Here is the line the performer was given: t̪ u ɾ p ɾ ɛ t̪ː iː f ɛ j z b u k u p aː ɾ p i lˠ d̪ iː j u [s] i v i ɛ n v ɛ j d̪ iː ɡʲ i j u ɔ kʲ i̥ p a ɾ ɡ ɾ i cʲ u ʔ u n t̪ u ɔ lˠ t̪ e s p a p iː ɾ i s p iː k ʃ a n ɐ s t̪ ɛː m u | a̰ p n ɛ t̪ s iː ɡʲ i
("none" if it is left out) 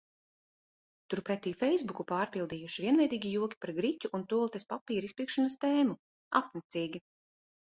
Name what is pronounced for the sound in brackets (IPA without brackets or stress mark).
ʃ